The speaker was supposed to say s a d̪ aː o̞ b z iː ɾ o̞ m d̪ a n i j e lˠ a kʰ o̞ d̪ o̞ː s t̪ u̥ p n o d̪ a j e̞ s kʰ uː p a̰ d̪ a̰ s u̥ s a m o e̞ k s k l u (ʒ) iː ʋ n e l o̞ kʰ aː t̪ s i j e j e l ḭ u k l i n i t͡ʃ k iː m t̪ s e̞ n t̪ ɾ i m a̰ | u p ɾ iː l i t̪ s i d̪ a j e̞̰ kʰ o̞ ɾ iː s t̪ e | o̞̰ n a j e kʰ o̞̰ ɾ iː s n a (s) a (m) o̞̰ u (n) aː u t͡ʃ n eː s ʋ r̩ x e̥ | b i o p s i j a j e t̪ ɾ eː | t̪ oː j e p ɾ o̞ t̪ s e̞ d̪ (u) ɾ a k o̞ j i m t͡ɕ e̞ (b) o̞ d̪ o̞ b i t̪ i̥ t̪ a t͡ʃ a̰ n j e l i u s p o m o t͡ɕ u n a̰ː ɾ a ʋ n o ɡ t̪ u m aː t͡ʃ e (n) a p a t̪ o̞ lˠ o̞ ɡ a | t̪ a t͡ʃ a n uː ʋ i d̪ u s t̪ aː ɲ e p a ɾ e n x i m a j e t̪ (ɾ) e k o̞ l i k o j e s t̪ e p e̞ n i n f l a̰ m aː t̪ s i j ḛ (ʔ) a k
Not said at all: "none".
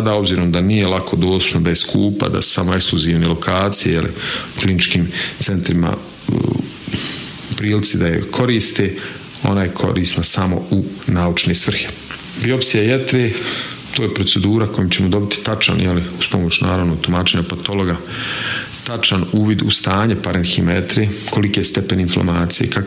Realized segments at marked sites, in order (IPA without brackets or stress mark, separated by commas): z, s, m, n, uː, m, ɲ, ɾ, k